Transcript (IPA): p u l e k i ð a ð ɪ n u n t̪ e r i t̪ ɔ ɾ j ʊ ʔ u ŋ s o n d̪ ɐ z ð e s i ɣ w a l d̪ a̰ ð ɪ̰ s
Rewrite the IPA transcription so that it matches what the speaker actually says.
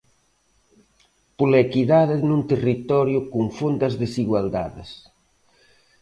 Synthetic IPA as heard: p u l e k i ð a ð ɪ n u n t̪ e r i t̪ ɔ ɾ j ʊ k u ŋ f o n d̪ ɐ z ð e s i ɣ w a l d̪ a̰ ð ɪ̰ s

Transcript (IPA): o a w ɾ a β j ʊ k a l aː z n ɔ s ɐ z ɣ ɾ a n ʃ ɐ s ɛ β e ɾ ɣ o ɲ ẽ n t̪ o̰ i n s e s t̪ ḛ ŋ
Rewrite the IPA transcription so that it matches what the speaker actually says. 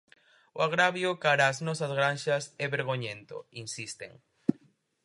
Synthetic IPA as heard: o a ɣ ɾ a β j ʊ k a ɾ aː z n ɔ s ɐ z ɣ ɾ a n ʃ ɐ s ɛ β e ɾ ɣ o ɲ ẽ n t̪ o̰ i n s i s t̪ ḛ ŋ

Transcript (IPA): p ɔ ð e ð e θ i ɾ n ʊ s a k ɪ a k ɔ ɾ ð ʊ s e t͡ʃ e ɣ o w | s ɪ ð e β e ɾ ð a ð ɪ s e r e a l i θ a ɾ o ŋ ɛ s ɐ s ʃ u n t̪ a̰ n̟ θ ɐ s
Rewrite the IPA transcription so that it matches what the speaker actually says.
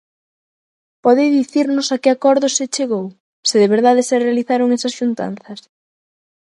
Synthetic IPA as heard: p ɔ ð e ð i θ i ɾ n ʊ s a k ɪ a k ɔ ɾ ð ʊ s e t͡ʃ e ɣ o w | s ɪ ð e β e ɾ ð a ð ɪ s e r e a l i θ a ɾ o ŋ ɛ s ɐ s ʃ u n t̪ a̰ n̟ θ ɐ s

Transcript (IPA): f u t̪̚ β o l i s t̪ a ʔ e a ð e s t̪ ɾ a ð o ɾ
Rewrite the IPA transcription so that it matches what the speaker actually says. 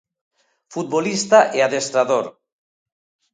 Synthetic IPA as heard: f u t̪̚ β o l i s t̪ a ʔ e a ð e s t̪ ɾ a ð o ɾ

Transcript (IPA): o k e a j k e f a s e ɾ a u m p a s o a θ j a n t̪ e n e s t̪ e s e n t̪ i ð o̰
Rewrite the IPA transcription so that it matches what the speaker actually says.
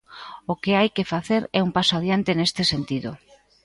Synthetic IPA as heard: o k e a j k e f a θ e ɾ ɛ u m p a s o a ð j a n t̪ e n e s t̪ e s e n t̪ i ð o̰

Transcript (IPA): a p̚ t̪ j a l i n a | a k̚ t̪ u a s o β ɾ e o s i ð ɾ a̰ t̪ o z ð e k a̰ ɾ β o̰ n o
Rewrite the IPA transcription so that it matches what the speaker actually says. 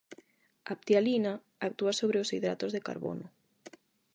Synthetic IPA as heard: a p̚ t̪ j a l i n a | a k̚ t̪ u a s o β ɾ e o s i ð ɾ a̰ t̪ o z ð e k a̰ ɾ β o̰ n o

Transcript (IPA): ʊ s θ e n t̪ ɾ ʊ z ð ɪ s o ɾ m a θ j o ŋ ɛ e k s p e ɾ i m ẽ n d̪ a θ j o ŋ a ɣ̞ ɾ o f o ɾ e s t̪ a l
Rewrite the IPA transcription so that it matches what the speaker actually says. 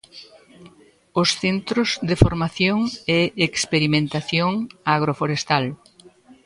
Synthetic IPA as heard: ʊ s θ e n t̪ ɾ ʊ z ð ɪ f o ɾ m a θ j o ŋ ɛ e k s p e ɾ i m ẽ n t̪ a θ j o ŋ a ɣ̞ ɾ o f o ɾ e s t̪ a l

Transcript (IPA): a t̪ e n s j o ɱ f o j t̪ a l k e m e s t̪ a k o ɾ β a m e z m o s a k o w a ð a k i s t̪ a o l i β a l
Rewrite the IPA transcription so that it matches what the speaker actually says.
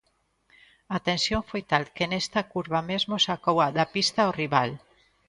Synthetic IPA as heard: a t̪ e n s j o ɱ f o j t̪ a l k e n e s t̪ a k u ɾ β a m e z m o s a k o w a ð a p i s t̪ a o r i β a l

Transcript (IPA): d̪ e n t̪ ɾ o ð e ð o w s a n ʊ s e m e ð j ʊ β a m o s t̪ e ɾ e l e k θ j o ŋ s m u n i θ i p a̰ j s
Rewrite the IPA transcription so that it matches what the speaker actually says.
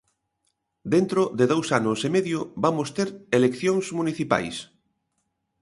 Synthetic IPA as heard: d̪ e n t̪ ɾ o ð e ð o w s a n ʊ s e m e ð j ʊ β a m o s t̪ e ɾ e l e k θ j o ŋ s m u n i θ i p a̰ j s

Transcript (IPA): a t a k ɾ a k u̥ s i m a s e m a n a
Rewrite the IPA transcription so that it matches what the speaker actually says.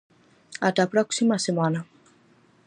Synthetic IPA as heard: a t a p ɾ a k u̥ s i m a s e m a n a

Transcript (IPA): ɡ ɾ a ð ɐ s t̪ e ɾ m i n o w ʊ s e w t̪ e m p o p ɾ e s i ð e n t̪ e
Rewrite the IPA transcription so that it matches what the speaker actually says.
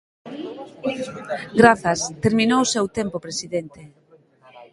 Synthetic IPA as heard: ɡ ɾ a θ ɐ s t̪ e ɾ m i n o w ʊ s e w t̪ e m p o p ɾ e s i ð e n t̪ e

